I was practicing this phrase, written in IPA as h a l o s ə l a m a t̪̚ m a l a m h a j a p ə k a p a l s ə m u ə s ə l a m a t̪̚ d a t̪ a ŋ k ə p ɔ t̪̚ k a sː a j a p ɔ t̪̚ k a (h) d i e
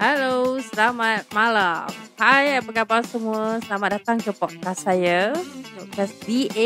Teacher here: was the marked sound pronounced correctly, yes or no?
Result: no